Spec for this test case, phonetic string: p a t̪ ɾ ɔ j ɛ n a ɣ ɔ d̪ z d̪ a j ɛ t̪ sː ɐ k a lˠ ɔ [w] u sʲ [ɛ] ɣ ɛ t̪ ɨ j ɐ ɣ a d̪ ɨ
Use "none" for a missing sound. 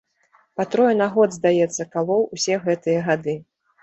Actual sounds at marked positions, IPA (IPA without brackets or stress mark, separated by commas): w, ɛ